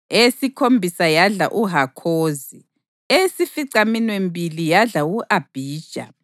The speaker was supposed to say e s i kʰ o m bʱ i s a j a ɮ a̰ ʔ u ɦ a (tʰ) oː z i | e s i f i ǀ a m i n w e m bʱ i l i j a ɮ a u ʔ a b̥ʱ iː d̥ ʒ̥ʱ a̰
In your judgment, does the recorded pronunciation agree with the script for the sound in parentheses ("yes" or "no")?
no